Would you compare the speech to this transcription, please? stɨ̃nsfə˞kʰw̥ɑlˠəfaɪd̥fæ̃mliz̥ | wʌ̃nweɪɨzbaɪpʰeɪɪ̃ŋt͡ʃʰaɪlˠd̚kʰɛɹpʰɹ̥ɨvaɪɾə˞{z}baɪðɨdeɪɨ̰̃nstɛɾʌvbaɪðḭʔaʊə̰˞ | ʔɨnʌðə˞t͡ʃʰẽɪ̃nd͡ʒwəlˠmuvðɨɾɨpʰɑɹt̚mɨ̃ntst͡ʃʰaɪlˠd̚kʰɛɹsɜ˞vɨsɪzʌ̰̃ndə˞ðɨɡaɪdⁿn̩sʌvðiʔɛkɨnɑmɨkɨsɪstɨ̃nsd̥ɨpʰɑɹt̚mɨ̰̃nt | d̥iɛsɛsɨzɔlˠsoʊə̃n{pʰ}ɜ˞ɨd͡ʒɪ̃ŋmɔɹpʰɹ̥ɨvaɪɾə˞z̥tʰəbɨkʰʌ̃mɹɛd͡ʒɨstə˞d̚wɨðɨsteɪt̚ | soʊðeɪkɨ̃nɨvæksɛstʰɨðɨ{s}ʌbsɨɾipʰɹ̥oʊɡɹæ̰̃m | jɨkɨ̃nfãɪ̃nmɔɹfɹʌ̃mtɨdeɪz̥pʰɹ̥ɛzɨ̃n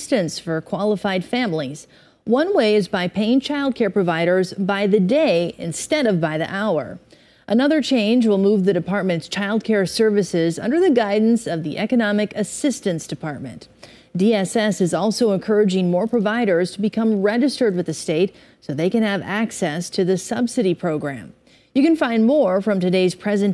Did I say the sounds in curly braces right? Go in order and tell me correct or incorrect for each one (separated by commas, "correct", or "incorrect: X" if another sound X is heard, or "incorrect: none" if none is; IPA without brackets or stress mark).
correct, incorrect: kʰ, correct